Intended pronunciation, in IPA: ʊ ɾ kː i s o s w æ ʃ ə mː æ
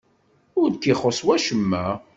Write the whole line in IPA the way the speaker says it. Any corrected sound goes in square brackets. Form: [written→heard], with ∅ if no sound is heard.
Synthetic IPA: ʊ ɾ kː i [s→χ] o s w æ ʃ ə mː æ